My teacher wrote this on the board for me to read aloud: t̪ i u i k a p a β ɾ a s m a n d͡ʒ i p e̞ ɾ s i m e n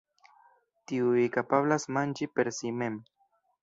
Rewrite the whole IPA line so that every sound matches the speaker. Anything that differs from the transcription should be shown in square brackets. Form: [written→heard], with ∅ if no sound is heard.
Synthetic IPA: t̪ i u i k a p a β [ɾ→l] a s m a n d͡ʒ i p e̞ ɾ s i m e [n→m]